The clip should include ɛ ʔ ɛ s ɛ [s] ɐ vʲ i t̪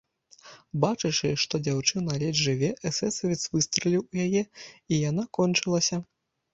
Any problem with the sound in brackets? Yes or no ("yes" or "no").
no